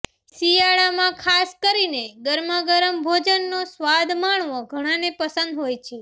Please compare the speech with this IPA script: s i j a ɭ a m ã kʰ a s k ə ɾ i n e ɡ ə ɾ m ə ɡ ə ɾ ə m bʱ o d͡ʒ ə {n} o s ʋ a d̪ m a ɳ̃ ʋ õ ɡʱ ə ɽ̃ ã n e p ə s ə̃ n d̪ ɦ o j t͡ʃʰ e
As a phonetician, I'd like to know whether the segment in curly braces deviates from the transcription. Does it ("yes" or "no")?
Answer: yes